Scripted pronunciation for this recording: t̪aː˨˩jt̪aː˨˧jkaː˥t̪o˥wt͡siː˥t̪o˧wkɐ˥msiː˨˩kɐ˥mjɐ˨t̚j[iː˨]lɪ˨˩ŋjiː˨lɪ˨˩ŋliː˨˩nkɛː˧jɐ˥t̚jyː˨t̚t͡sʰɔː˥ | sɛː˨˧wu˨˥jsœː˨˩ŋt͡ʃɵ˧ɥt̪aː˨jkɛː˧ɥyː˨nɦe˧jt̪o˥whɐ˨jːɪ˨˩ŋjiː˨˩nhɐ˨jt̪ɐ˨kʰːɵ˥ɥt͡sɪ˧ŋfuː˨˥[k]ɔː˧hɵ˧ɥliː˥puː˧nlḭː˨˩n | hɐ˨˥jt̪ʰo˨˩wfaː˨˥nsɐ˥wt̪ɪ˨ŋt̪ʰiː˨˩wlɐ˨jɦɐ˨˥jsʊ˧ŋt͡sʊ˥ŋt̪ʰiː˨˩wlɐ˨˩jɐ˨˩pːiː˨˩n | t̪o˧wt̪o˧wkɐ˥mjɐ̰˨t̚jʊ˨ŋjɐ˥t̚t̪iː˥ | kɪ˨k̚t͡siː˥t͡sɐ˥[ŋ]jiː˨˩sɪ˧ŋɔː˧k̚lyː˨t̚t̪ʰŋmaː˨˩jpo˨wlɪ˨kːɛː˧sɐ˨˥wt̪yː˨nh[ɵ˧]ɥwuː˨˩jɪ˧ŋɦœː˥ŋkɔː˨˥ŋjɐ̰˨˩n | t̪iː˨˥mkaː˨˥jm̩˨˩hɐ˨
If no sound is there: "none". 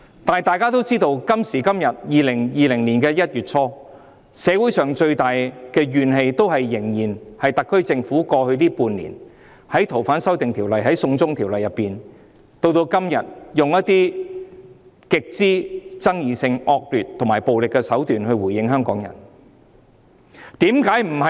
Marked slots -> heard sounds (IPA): iː˨, k, ŋ, ɵ˧

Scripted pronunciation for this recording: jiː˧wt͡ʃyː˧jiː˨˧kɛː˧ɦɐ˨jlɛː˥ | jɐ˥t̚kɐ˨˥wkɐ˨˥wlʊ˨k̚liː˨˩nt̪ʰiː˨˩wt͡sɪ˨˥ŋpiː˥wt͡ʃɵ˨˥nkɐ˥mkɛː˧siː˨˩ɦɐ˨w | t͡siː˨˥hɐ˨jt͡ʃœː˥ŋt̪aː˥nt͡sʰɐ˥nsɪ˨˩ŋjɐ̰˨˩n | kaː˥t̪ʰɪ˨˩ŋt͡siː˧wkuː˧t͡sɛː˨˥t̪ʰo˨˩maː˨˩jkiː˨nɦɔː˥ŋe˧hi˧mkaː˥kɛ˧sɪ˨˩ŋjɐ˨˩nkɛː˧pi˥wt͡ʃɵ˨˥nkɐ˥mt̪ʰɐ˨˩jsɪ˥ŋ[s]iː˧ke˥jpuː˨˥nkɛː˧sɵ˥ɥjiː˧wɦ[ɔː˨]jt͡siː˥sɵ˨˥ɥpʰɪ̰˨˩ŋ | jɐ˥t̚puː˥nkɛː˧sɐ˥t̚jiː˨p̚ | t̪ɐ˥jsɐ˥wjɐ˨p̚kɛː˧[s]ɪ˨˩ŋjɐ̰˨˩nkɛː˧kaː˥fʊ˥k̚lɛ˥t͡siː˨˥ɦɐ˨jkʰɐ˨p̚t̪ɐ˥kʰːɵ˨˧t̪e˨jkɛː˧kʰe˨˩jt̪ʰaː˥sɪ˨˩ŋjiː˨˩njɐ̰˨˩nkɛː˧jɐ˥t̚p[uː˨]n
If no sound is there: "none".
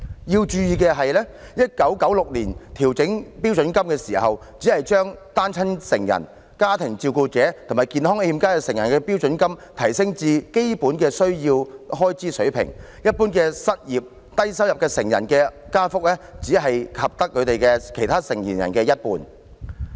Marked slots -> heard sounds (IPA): t͡s, ɔː˥, s, uː˨

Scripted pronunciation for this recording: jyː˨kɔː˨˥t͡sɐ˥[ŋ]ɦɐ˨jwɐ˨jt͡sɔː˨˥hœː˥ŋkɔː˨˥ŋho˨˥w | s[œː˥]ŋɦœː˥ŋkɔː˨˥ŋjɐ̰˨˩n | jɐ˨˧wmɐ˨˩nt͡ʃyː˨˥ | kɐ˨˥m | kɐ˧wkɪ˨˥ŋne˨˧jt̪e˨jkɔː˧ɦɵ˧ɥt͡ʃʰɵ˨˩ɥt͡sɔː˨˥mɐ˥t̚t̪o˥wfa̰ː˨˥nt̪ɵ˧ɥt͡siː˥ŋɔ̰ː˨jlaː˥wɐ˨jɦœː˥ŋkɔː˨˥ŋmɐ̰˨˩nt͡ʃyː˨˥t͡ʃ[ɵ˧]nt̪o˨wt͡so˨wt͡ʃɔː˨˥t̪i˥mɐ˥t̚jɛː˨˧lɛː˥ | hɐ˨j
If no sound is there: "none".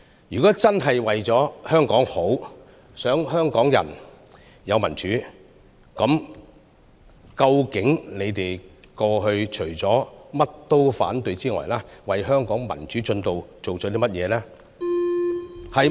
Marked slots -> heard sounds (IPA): n, œː˨˥, ɵ˧

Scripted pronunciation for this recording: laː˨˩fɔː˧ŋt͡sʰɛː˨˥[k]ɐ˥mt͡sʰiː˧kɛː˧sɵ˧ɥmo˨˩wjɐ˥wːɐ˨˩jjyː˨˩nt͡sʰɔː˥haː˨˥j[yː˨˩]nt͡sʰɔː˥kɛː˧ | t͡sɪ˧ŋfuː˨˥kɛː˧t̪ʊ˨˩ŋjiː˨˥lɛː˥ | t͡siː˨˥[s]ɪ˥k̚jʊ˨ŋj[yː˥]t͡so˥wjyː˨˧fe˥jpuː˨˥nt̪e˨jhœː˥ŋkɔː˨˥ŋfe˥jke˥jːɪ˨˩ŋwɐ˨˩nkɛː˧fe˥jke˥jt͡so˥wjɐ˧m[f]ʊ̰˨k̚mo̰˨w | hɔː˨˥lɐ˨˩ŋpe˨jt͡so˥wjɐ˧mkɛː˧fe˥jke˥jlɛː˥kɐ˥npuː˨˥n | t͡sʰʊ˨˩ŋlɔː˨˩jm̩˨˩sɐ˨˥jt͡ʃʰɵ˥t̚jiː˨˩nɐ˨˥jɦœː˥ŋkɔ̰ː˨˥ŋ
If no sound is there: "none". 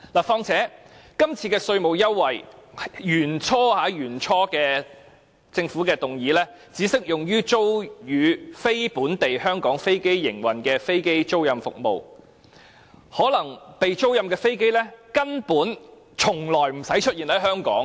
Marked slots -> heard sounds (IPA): k, yː˨˩, s, yː˥, f

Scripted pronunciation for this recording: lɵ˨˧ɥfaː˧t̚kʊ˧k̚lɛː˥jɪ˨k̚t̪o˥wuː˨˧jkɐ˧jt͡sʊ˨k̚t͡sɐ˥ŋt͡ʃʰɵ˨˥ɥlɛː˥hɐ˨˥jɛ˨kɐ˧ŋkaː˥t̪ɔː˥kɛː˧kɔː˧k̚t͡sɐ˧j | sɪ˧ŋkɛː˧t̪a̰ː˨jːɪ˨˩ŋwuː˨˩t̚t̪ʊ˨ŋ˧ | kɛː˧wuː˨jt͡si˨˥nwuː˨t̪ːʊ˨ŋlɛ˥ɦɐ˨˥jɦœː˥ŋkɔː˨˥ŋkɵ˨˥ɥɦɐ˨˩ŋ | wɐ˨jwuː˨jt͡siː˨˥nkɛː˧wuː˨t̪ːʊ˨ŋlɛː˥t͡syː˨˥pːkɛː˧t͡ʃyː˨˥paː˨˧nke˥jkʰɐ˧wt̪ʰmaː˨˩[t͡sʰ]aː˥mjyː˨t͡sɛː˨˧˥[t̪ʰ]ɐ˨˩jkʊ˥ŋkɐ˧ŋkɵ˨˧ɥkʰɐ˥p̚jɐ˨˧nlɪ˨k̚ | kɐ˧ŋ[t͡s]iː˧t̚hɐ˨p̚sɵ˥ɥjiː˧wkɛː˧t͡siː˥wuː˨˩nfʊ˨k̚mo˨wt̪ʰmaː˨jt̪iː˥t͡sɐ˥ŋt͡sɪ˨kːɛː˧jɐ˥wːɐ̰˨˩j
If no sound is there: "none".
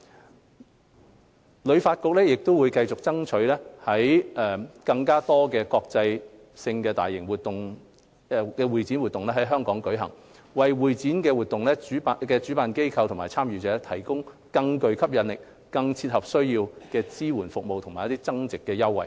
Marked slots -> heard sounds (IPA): t͡sʰ, t̪ʰ, t͡sʰ

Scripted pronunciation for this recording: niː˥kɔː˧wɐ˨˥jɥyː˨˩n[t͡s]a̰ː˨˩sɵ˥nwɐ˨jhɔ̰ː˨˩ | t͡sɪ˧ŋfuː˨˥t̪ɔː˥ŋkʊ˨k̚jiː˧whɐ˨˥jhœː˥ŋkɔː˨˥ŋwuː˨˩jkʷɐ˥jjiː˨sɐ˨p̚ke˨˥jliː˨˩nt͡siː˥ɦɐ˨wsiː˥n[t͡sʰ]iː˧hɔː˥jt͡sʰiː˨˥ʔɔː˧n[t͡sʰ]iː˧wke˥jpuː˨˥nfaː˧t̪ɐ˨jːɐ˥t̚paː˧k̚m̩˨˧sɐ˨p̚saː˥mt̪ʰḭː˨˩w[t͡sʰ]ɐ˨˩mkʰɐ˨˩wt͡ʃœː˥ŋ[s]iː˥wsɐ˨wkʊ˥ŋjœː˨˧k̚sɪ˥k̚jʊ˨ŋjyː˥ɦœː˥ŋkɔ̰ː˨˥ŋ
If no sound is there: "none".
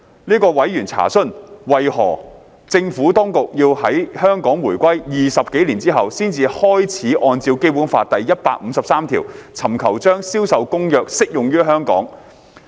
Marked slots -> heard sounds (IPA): t͡sʰ, t͡s, t͡s, t͡sʰ, s

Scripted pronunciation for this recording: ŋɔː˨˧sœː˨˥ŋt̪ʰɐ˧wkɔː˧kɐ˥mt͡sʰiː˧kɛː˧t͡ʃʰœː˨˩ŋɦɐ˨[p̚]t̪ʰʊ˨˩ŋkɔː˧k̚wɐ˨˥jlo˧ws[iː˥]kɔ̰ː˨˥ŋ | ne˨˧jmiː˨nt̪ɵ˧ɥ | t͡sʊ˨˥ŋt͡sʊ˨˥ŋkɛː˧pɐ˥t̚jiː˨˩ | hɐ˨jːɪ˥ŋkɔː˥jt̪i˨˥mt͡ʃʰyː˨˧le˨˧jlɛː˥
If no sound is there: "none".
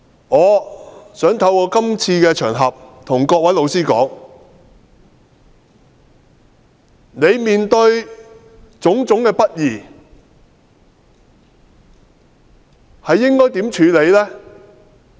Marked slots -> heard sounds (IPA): p̚, iː˥

